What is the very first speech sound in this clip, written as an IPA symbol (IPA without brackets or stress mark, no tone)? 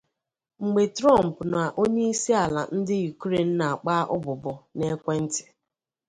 ŋ͡m̩